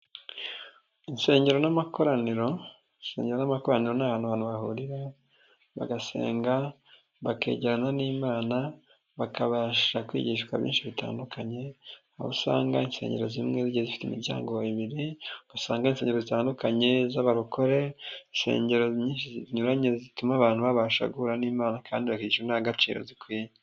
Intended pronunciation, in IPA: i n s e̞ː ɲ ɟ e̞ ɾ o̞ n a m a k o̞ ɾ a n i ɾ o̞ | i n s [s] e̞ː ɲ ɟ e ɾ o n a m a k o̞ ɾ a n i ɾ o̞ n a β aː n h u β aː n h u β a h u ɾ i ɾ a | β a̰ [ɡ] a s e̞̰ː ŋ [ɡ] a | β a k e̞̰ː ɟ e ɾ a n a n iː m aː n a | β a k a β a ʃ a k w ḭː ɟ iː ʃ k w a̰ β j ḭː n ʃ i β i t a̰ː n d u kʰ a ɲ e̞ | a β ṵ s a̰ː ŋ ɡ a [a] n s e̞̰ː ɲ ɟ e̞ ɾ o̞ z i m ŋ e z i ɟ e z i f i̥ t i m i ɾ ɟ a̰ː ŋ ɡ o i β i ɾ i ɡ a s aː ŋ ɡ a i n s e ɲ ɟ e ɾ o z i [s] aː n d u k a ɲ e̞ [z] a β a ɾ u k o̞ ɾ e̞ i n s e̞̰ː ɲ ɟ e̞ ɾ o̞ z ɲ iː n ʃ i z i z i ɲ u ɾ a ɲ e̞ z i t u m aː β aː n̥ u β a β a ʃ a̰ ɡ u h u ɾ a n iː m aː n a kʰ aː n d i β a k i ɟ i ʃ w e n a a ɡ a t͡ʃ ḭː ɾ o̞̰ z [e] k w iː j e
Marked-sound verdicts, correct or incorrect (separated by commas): correct, correct, correct, incorrect, incorrect, correct, incorrect